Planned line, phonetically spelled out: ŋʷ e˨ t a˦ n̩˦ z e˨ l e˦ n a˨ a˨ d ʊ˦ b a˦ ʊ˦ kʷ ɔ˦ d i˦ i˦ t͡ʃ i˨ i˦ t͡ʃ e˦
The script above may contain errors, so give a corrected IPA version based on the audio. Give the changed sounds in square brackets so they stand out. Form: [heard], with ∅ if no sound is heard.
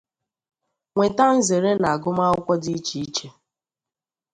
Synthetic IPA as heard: ŋʷ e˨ t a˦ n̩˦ z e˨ [ɾ] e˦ n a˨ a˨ [ɡ] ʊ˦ [m] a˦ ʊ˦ kʷ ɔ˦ d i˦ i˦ t͡ʃ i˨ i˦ t͡ʃ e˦